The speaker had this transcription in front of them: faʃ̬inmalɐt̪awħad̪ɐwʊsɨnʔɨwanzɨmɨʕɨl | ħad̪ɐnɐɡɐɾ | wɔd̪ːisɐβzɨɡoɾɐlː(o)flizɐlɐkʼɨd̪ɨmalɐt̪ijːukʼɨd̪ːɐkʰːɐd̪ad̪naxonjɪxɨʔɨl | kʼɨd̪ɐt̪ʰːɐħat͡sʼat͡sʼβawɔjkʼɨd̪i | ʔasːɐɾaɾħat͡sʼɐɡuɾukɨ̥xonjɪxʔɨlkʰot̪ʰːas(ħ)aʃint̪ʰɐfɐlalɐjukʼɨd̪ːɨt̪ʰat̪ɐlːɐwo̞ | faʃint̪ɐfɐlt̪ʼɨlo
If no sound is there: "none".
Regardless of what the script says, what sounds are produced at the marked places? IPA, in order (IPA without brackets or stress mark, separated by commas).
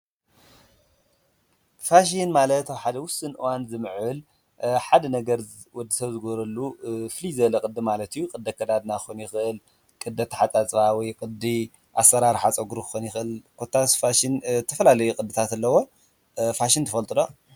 u, f